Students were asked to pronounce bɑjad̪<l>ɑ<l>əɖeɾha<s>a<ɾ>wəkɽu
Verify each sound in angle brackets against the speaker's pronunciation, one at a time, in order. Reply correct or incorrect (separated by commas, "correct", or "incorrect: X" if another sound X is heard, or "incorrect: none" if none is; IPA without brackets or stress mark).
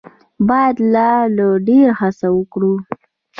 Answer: correct, correct, correct, incorrect: none